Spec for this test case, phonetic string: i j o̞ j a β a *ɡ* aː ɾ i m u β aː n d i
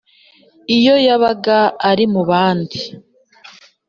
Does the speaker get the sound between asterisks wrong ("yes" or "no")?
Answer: no